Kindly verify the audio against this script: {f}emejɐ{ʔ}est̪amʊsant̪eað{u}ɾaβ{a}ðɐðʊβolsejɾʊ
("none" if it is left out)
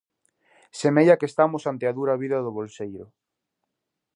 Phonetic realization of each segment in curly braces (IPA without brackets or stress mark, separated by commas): s, k, u, i